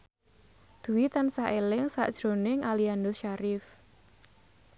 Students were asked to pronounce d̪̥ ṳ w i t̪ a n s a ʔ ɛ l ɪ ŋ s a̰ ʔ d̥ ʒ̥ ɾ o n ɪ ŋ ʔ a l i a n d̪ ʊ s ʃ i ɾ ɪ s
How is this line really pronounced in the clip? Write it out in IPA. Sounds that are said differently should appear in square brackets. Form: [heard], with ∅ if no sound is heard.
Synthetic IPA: d̪̥ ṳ w i t̪ a n s a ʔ [e] l ɪ ŋ s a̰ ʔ d̥ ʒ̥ ɾ o n ɪ ŋ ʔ a l i a n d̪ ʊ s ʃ [a] ɾ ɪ [f]